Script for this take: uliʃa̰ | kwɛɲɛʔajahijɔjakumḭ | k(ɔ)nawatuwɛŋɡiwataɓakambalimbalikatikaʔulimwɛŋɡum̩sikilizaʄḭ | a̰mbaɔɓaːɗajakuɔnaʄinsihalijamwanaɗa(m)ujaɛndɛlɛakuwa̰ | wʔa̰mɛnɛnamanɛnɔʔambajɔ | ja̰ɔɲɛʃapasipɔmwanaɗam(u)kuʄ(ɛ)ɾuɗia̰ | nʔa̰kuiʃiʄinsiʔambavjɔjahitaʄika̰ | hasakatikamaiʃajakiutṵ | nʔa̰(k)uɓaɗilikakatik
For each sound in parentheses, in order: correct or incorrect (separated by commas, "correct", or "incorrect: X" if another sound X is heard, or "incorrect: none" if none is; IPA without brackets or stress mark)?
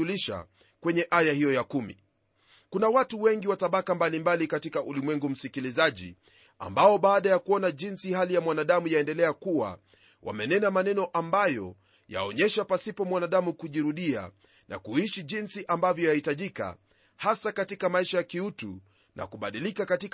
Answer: incorrect: u, correct, correct, incorrect: i, correct